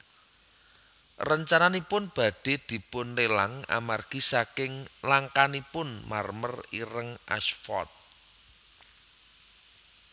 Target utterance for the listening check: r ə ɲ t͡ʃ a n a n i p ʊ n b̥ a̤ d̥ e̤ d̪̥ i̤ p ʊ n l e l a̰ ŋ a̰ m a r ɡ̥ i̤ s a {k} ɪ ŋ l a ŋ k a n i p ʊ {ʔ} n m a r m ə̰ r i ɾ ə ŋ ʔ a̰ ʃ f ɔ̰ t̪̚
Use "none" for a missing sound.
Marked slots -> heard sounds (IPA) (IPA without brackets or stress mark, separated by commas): k, none